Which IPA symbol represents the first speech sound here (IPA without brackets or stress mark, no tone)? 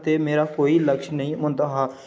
t̪